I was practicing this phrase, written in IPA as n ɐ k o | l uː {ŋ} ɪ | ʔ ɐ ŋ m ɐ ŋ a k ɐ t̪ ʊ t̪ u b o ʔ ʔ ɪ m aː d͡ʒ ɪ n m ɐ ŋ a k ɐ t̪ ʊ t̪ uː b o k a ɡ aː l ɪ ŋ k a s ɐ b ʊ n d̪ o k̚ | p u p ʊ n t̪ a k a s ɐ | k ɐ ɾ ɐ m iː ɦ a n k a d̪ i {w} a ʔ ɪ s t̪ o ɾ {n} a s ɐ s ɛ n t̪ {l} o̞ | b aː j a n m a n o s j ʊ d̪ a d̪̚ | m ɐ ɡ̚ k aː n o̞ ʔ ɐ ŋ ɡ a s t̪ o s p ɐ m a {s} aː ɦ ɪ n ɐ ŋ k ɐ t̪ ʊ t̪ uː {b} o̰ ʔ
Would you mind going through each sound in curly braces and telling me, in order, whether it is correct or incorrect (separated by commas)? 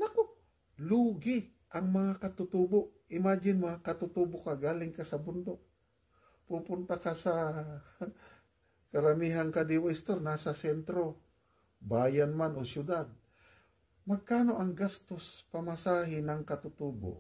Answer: incorrect, correct, correct, incorrect, correct, correct